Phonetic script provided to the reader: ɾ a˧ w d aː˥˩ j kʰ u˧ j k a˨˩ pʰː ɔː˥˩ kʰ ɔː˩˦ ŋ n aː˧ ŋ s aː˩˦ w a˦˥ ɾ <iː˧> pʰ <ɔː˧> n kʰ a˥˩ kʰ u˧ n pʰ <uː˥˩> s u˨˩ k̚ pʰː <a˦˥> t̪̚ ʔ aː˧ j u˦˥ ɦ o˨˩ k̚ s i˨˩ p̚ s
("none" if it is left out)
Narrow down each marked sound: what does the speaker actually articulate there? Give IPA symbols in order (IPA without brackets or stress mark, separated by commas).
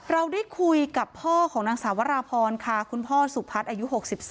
aː˧, ɔː˧, ɔː˥˩, a˦˥